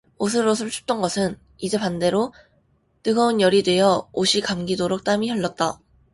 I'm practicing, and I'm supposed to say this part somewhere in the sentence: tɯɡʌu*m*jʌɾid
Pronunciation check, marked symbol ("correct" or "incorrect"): incorrect